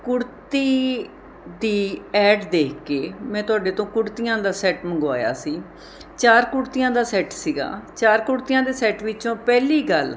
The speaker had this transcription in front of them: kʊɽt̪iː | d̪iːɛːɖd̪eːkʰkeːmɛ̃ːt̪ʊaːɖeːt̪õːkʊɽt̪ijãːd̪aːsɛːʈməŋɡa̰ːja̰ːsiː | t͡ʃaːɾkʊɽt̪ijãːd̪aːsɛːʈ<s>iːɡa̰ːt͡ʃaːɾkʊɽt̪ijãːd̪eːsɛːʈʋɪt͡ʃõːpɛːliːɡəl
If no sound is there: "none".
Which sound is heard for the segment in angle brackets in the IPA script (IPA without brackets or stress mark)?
s